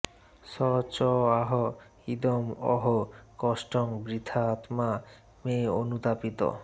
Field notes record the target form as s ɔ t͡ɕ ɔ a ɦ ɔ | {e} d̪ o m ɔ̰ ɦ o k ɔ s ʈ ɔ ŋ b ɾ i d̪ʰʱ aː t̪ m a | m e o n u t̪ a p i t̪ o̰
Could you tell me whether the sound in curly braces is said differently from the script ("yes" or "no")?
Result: yes